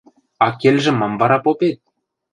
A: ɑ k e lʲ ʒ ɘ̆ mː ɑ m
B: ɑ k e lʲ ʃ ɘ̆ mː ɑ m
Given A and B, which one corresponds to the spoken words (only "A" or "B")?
A